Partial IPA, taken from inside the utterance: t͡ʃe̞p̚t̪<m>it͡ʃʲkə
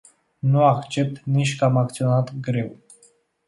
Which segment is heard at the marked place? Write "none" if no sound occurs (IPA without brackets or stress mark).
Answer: n